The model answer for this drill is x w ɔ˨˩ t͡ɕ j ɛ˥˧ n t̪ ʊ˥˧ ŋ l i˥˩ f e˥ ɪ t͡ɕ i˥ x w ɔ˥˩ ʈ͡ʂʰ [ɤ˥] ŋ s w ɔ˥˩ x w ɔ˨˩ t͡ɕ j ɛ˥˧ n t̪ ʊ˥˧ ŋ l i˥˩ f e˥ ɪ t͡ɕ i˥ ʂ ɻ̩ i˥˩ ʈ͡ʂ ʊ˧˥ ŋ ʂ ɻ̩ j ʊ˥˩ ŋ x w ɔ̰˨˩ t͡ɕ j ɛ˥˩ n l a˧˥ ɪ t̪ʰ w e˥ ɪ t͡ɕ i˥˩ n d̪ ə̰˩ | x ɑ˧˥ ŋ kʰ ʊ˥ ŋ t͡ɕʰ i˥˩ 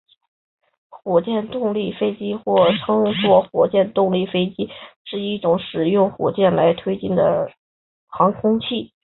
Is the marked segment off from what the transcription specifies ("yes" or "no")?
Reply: no